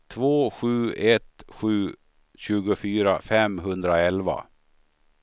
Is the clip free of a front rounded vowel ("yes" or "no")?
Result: no